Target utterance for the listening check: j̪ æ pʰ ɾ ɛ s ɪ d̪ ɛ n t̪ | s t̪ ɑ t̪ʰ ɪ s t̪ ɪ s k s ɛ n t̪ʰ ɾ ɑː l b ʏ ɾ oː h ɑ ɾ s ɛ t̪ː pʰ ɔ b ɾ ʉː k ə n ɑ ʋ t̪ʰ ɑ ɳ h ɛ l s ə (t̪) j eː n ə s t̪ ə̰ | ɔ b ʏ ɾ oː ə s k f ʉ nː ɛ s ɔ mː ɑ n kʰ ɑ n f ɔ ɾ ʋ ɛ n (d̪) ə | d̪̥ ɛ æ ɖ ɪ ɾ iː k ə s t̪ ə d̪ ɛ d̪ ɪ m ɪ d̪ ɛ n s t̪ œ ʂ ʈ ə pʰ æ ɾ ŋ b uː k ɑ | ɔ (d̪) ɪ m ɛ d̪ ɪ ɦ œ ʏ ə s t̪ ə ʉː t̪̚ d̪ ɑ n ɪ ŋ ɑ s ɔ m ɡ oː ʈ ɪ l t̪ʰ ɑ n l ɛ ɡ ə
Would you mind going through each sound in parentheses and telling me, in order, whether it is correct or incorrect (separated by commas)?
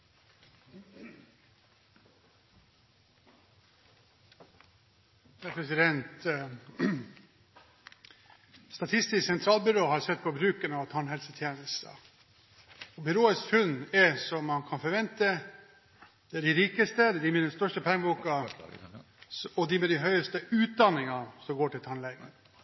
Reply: incorrect, incorrect, correct